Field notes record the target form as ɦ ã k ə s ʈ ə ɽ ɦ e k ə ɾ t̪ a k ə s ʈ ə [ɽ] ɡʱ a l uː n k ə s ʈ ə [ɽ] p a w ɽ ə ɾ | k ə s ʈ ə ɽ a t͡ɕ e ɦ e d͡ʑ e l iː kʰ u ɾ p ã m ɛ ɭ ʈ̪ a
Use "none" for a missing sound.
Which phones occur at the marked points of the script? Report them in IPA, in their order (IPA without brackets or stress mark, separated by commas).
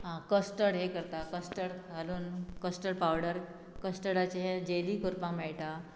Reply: ɽ, ɽ